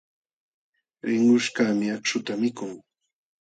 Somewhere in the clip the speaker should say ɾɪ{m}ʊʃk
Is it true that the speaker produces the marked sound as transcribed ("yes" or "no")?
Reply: no